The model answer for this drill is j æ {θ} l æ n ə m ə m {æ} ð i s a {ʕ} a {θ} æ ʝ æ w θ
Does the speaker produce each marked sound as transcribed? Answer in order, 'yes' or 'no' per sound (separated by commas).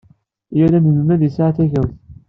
no, yes, yes, yes